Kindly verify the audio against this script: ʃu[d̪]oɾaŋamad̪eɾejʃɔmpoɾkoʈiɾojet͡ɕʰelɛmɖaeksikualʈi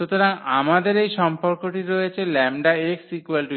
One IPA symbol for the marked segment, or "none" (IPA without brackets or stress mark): t̪